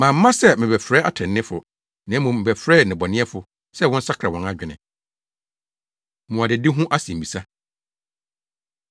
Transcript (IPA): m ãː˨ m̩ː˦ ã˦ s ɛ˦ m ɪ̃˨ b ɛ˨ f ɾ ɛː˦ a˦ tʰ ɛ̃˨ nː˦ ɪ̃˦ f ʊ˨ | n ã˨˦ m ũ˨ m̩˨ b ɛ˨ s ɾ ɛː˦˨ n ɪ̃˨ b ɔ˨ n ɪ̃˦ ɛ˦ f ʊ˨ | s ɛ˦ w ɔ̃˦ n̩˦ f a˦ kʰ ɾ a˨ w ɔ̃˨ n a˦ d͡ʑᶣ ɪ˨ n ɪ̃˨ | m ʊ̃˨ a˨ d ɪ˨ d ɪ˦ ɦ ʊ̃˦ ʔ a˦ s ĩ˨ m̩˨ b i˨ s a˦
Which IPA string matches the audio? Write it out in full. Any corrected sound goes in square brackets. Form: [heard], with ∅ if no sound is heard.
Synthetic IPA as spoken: m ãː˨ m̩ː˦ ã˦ s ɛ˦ m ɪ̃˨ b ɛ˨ f ɾ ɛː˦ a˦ tʰ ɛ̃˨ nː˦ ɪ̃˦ f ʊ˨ | n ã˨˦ m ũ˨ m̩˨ b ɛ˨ [f] ɾ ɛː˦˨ n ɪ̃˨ b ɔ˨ n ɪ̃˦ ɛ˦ f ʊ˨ | s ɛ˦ w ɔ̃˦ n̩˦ [s] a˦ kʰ ɾ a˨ w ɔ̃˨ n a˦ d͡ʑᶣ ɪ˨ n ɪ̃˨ | m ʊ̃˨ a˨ d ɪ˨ d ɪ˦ ɦ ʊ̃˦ ʔ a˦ s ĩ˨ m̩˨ b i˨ s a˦